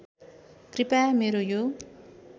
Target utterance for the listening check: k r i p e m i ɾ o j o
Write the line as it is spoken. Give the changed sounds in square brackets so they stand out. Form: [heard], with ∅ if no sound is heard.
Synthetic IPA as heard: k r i p [a] m [e] ɾ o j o